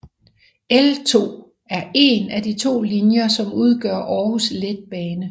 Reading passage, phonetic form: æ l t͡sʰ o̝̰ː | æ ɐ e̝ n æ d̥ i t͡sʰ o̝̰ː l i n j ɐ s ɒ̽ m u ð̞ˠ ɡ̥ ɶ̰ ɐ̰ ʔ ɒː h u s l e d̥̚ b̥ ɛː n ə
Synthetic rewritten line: e l t͡sʰ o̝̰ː | æ ɐ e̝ n æ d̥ i t͡sʰ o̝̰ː l i n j ɐ s ɒ̽ m u ð̞ˠ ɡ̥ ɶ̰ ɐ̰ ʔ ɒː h u s l e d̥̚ b̥ ɛː n ə